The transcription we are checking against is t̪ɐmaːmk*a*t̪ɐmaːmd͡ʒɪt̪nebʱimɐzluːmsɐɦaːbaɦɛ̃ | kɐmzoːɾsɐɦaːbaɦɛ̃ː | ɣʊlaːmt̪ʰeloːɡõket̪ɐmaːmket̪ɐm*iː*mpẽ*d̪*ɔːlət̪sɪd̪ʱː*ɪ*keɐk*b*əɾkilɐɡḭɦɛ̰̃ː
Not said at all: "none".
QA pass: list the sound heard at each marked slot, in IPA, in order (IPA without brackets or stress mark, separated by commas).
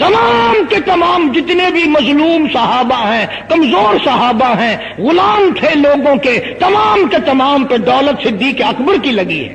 e, aː, d̪, i, b